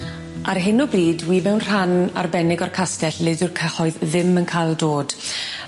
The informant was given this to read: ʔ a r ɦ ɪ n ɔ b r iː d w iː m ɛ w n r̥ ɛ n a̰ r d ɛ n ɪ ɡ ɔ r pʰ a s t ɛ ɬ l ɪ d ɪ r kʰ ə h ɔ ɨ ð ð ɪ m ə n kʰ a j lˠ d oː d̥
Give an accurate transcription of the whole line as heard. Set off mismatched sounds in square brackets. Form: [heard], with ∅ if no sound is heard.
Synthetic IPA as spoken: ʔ a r ɦ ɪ n ɔ b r iː d w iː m ɛ w n r̥ [a] n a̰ r [b] ɛ n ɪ ɡ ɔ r [kʰ] a s t ɛ ɬ l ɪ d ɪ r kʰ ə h ɔ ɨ ð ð ɪ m ə n kʰ a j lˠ d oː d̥